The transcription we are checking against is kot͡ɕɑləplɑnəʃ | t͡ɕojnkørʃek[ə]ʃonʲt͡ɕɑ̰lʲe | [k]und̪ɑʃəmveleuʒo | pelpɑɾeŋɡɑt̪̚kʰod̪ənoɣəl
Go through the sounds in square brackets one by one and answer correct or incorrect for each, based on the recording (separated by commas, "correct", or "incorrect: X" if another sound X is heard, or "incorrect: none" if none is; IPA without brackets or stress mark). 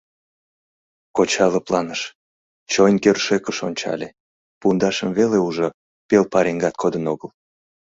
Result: correct, incorrect: p